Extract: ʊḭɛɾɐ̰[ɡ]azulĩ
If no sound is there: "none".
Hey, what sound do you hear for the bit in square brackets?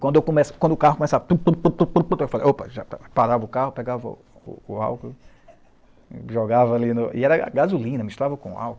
ɡ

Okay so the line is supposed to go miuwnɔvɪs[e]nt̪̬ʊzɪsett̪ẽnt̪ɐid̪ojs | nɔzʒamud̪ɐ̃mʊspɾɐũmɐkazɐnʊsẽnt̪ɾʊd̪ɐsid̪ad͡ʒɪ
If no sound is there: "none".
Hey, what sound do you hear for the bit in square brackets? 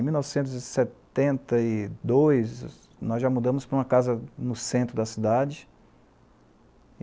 ẽ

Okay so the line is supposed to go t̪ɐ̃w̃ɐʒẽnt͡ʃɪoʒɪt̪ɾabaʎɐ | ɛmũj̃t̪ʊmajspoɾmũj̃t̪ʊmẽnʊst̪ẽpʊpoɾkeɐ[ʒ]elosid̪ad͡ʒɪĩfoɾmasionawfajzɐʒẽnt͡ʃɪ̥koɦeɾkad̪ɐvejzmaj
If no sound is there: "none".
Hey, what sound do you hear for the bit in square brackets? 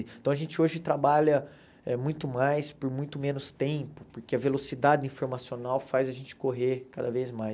v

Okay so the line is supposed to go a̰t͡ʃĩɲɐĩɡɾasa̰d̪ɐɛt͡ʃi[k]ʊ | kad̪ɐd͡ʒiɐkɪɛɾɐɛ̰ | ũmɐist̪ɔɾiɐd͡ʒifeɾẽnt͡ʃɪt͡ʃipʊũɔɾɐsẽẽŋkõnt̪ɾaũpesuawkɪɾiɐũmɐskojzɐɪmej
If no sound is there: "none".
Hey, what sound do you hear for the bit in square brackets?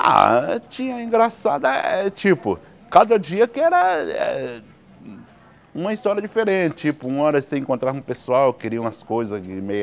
p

